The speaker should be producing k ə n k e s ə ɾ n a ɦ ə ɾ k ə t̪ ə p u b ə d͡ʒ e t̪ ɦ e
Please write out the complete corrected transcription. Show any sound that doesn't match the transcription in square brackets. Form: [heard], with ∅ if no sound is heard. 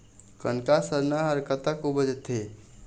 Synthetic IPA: k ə n k [a] s ə ɾ n a ɦ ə ɾ k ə t̪ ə [k] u b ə d͡ʒ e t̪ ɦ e